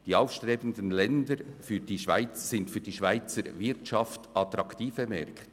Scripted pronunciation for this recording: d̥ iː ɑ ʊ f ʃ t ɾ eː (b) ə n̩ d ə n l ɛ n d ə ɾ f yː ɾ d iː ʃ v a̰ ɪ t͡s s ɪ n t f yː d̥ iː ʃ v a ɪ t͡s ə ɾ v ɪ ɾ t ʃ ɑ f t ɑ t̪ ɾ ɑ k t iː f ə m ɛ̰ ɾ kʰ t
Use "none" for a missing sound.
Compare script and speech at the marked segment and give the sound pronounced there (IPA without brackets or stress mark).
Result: b